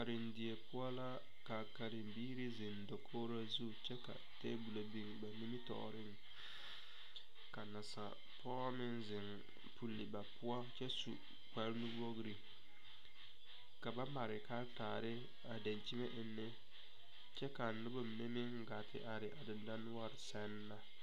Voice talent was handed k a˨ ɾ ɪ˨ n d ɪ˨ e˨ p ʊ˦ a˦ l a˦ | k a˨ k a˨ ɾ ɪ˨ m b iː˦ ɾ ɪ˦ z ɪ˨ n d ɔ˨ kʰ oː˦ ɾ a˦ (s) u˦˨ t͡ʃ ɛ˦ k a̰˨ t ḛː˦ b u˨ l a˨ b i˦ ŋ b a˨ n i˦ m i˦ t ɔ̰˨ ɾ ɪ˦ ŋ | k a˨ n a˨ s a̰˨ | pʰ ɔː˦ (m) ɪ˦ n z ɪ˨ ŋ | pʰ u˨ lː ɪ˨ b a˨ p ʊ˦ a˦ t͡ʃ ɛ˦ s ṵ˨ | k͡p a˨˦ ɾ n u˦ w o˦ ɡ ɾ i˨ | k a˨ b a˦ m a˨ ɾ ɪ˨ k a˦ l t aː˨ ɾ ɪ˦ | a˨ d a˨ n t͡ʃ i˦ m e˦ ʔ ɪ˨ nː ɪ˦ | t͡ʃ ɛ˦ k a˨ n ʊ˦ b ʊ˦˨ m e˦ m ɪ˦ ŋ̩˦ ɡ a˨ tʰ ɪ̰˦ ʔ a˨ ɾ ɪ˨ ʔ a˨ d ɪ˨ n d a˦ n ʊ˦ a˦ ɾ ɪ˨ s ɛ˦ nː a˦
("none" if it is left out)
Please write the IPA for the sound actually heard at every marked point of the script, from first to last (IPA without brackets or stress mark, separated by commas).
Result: z, m